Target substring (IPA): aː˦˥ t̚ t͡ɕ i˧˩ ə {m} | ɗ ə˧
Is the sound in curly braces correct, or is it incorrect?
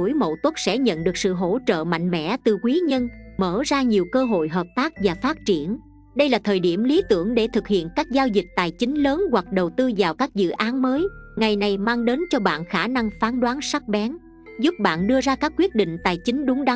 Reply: incorrect